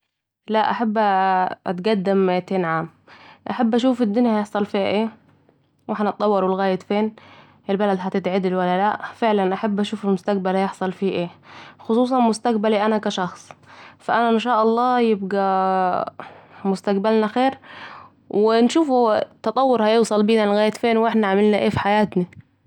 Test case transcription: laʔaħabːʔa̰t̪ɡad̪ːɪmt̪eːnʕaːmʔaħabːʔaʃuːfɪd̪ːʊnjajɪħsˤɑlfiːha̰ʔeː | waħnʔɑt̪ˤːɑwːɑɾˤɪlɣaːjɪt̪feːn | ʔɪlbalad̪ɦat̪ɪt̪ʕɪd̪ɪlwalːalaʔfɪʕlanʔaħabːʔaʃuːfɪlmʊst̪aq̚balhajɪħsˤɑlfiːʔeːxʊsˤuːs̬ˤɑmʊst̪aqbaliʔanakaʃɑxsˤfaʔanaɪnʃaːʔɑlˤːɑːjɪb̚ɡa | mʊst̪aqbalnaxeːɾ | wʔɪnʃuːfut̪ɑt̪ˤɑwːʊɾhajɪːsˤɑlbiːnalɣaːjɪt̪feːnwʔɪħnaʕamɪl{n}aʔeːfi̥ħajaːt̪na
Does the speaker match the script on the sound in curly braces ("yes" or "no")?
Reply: yes